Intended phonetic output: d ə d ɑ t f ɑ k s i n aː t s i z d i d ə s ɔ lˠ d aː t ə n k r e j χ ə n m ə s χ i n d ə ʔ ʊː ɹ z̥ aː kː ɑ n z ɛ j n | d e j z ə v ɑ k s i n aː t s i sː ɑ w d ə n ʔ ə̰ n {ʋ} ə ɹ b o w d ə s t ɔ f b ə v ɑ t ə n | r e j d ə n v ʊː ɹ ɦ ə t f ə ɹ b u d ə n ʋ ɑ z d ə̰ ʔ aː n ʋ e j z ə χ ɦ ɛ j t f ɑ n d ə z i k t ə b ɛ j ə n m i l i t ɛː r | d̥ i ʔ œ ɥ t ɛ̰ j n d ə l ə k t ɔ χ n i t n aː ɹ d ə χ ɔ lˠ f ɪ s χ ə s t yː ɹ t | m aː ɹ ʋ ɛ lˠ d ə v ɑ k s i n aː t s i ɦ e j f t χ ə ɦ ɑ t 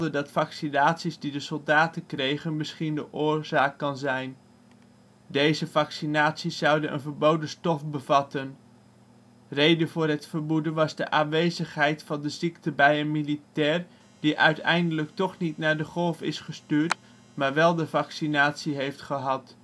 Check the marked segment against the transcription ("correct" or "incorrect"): incorrect